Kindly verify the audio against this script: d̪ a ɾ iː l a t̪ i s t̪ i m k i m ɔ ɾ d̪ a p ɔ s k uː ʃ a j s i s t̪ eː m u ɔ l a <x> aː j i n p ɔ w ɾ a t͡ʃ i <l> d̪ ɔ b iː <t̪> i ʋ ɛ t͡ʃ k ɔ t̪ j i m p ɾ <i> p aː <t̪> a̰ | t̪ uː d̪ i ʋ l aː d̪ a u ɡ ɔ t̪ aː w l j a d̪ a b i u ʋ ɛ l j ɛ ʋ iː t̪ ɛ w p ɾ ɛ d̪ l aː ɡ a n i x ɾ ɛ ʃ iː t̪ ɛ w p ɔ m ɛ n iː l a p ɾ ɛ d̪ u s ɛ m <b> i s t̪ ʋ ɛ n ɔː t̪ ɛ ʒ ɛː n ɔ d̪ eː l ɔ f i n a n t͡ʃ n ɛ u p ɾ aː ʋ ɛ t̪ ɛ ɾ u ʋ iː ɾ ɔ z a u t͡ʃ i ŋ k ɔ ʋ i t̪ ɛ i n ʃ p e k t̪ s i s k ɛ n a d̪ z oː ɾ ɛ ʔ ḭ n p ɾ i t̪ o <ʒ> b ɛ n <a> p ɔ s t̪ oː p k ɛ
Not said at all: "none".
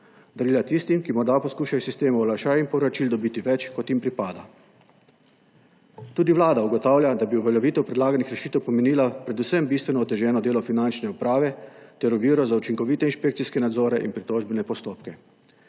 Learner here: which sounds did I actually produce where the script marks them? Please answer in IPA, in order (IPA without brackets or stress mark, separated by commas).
ʃ, l, t̪, i, d̪, b, ʒ, ɛ